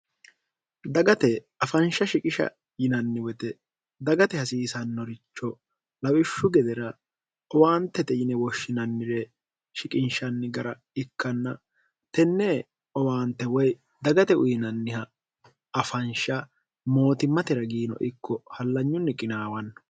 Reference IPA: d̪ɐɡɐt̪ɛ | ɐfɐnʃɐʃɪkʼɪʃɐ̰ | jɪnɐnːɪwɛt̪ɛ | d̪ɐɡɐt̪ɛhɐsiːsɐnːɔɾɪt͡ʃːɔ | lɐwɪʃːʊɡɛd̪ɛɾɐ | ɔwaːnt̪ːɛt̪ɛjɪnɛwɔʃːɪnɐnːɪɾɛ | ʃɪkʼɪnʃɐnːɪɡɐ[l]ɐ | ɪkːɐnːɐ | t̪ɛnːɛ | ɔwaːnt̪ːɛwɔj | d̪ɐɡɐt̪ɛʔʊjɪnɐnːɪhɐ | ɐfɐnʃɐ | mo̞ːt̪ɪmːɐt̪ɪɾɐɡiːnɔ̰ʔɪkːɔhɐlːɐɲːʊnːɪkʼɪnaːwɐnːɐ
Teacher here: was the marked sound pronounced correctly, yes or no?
no